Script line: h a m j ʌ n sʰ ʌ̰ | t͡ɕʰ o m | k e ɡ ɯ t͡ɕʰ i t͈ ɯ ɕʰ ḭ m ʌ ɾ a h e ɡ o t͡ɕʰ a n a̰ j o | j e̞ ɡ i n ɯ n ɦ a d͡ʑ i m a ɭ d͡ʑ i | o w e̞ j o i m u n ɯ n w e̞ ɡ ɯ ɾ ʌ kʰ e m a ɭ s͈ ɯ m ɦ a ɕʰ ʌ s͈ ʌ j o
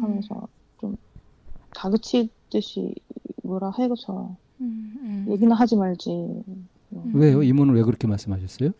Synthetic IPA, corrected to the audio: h a m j ʌ n sʰ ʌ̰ | t͡ɕ o m | k a ɡ ɯ t͡ɕʰ i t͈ ɯ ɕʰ ḭ m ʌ ɾ a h e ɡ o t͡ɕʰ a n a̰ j o | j e̞ ɡ i n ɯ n ɦ a d͡ʑ i m a ɭ d͡ʑ i | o w e̞ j o i m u n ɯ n w e̞ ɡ ɯ ɾ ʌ kʰ e m a ɭ s͈ ɯ m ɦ a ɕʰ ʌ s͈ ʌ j o